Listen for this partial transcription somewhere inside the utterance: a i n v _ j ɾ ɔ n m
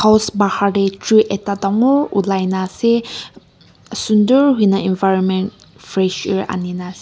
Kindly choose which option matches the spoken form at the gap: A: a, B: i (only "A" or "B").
A